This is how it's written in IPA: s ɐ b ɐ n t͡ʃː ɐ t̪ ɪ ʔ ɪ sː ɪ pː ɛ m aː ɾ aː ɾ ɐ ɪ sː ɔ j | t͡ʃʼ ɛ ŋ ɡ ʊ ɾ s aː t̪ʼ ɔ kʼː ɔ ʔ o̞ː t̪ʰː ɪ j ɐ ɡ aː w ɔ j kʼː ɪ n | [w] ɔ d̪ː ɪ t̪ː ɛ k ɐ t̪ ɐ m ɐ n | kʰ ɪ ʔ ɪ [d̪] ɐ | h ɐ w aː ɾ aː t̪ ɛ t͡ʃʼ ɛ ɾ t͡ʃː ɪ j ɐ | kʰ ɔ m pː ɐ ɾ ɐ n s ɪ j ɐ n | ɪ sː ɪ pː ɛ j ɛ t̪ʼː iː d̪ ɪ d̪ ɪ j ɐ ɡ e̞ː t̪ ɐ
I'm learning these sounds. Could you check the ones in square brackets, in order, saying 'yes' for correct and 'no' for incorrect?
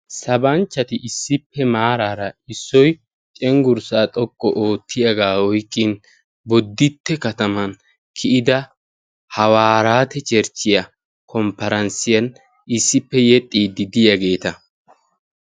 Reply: no, yes

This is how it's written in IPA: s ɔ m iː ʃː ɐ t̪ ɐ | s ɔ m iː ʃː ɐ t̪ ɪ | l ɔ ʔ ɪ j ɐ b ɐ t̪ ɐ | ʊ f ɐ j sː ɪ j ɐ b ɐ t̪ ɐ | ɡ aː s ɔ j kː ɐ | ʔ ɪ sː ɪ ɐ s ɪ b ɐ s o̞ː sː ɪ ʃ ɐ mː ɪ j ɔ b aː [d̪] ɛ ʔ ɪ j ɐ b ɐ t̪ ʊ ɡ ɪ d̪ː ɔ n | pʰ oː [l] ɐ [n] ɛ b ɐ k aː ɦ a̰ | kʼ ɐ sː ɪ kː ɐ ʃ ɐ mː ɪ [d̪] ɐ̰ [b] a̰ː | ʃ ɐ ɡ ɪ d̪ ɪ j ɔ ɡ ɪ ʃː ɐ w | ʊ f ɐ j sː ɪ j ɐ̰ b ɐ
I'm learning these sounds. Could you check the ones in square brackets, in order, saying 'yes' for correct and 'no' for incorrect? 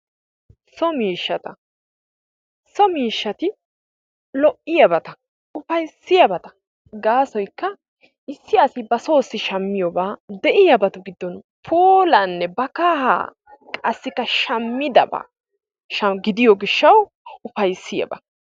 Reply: yes, yes, no, yes, yes

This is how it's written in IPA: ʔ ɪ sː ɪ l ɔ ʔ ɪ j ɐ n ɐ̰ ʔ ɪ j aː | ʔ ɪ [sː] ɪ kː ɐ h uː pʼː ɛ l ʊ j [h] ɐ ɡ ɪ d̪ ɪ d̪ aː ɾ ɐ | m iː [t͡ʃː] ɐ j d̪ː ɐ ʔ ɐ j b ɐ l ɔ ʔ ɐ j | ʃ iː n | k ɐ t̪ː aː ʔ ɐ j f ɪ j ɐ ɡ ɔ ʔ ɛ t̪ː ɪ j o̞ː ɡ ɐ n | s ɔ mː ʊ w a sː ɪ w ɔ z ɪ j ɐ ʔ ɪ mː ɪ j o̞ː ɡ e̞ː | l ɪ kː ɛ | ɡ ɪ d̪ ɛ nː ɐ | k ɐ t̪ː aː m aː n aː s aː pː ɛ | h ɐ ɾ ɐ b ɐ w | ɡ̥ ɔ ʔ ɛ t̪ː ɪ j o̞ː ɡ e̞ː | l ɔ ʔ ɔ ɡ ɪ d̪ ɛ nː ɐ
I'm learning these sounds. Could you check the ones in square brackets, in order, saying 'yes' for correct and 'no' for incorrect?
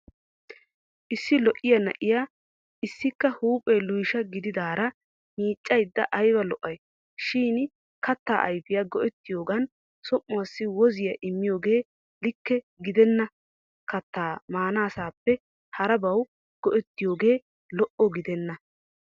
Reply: yes, no, no

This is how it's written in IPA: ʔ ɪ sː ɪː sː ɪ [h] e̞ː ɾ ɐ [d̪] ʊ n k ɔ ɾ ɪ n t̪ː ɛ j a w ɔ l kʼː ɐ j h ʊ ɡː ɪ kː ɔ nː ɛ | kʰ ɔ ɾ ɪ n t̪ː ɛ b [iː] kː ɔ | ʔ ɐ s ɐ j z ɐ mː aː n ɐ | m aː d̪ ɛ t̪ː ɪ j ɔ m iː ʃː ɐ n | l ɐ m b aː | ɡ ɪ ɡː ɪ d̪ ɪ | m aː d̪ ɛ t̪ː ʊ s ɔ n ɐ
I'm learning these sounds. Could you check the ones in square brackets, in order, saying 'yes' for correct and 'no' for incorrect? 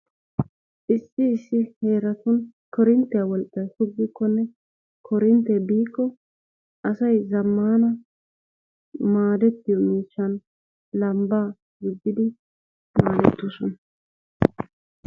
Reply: yes, no, yes

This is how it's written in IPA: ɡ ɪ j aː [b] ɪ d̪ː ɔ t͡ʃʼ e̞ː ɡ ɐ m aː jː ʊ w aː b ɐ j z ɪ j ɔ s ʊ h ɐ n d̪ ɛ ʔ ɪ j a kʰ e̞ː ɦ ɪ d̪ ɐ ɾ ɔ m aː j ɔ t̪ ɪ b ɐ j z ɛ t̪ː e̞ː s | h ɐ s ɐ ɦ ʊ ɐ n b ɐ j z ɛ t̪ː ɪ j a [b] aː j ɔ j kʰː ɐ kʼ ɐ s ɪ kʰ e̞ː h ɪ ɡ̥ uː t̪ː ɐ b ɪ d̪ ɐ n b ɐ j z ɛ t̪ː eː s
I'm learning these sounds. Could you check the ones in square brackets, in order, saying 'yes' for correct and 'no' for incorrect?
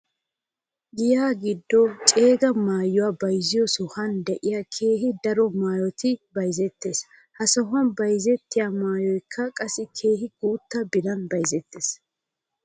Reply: no, no

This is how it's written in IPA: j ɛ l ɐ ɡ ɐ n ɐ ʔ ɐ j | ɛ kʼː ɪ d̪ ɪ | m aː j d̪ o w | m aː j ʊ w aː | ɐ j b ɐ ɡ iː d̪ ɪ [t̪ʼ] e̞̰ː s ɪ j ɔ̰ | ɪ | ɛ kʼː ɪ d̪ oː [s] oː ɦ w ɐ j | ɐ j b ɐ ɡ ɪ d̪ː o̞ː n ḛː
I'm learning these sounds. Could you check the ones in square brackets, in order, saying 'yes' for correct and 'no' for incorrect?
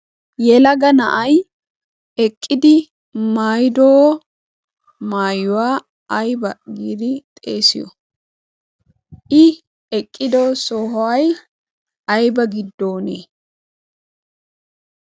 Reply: yes, yes

